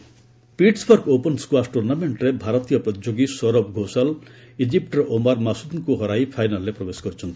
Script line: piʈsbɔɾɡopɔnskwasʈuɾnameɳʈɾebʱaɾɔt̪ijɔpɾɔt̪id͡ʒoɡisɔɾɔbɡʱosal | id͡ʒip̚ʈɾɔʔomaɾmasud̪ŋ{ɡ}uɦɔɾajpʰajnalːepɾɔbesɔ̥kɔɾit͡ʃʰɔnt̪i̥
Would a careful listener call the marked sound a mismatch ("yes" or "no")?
yes